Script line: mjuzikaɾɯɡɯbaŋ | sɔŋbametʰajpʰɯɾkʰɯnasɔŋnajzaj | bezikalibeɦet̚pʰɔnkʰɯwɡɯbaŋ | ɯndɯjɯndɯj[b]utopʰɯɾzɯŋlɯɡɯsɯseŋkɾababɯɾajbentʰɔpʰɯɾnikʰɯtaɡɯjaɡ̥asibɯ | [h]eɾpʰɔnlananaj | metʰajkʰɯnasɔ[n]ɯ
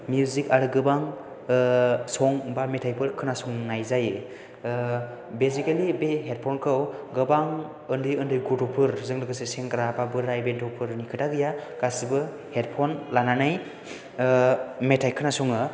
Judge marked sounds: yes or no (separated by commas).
no, yes, no